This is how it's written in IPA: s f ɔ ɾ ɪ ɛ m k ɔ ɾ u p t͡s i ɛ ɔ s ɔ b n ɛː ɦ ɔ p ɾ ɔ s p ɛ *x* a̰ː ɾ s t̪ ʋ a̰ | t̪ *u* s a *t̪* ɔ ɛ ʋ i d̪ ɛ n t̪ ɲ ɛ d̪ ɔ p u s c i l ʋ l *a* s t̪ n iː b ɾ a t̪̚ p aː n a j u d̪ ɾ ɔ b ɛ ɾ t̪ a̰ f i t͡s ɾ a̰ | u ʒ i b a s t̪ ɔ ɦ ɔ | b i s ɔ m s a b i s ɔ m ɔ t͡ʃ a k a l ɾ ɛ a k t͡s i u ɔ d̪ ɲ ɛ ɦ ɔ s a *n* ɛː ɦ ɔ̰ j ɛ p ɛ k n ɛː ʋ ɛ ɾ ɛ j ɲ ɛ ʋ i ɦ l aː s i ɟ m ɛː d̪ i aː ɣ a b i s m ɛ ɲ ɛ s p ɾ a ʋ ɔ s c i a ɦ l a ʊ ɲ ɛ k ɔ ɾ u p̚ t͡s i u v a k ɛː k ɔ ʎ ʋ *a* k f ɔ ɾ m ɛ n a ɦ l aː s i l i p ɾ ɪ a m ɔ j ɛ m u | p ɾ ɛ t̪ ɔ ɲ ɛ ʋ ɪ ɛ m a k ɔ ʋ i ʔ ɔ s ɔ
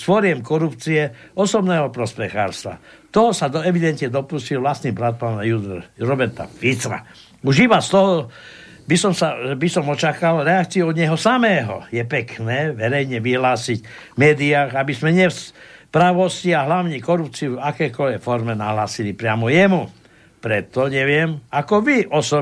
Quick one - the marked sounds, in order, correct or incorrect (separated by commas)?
correct, incorrect, incorrect, correct, incorrect, incorrect